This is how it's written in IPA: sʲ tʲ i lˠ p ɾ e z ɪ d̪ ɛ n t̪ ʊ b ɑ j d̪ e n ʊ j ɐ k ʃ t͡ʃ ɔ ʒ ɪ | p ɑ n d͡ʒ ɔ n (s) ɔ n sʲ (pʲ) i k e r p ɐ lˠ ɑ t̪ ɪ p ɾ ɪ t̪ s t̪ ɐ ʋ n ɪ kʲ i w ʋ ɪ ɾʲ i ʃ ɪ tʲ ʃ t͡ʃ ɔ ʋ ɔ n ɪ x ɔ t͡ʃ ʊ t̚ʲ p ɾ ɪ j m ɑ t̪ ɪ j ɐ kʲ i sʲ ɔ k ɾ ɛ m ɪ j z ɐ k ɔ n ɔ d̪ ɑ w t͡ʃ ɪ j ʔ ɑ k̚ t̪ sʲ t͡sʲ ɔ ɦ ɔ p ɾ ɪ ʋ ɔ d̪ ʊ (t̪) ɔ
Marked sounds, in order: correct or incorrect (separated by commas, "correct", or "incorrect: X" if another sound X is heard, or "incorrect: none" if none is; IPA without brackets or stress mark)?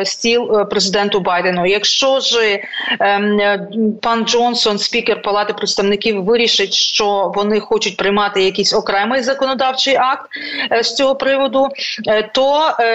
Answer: correct, correct, correct